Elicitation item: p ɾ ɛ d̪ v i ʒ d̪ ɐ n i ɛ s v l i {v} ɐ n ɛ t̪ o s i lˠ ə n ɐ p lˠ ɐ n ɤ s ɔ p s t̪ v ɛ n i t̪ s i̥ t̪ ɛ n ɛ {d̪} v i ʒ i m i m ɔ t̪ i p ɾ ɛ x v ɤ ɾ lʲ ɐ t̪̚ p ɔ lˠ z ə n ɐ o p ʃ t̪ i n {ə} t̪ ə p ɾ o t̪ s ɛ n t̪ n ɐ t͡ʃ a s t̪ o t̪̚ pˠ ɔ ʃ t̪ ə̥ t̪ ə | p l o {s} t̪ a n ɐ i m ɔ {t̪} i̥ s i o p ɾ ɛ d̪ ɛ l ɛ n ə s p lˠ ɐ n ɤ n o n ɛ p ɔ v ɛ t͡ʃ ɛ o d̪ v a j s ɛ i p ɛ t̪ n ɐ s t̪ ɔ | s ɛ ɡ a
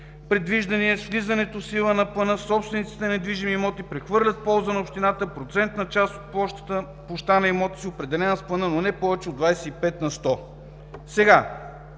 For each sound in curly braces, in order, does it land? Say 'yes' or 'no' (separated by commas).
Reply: no, yes, no, no, yes